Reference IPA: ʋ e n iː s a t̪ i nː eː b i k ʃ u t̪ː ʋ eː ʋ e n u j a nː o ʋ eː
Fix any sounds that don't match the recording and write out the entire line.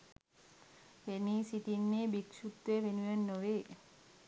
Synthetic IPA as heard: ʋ e n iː s i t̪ i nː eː b i k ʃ u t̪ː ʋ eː ʋ e n u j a nː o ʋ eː